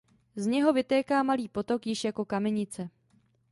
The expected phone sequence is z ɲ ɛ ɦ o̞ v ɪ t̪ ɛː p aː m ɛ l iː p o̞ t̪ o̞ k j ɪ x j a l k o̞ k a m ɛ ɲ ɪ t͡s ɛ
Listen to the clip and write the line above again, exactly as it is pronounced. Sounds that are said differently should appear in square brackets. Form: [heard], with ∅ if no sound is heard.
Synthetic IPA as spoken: z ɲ ɛ ɦ o̞ v ɪ t̪ ɛː [k] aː m [a] l iː p o̞ t̪ o̞ k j ɪ [ʃ] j a [∅] k o̞ k a m ɛ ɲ ɪ t͡s ɛ